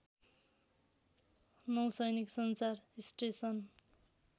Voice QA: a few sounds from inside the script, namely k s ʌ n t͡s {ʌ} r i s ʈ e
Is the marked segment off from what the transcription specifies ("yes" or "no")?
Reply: yes